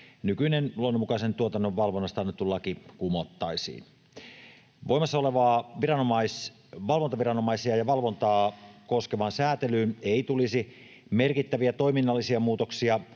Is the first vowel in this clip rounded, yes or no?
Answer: yes